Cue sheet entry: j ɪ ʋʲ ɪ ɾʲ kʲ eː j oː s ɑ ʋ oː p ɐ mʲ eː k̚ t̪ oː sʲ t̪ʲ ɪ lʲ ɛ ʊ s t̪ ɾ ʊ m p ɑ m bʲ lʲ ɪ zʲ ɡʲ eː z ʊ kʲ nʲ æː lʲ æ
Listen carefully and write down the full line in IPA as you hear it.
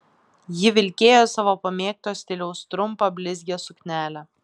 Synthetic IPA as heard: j ɪ ʋʲ ɪ lʲ kʲ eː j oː s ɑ ʋ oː p ɐ mʲ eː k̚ t̪ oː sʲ t̪ʲ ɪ lʲ ɛ ʊ s t̪ ɾ ʊ m p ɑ bʲ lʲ ɪ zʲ ɡʲ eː s ʊ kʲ nʲ æː lʲ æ